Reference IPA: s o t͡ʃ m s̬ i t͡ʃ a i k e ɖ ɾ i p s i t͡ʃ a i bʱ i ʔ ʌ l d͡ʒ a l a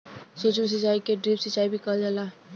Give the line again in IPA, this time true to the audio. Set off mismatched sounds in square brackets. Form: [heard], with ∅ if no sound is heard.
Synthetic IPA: s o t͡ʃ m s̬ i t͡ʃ a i k e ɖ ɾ i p s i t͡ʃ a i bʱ i [k] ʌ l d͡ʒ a l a